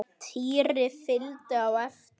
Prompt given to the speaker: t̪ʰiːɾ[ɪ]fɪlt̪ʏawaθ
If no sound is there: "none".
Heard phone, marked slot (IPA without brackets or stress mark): ɪ